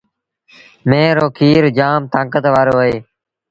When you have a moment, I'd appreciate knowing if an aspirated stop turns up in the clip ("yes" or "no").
yes